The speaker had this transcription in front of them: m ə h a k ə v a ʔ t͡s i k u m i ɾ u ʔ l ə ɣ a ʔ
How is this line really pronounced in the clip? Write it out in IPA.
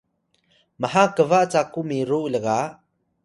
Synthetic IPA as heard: m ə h a k ə v a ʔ t͡s a k u m i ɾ u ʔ l ə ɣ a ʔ